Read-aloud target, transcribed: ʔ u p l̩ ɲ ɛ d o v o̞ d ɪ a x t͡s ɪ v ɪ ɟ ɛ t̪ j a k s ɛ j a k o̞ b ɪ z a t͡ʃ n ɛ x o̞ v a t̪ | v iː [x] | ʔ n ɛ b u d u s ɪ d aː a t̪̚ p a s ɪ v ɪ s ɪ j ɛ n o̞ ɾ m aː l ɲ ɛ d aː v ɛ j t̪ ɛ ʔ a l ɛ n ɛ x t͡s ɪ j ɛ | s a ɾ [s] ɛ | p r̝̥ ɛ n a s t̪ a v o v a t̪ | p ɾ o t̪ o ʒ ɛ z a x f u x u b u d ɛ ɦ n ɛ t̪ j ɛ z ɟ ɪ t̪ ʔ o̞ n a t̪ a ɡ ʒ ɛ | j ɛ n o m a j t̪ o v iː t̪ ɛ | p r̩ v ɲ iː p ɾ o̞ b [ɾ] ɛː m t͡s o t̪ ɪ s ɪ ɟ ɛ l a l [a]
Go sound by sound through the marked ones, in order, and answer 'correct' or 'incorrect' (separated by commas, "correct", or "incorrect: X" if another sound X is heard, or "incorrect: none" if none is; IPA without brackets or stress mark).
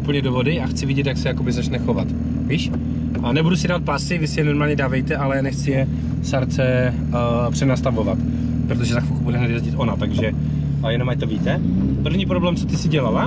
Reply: incorrect: ʃ, incorrect: t͡s, incorrect: l, correct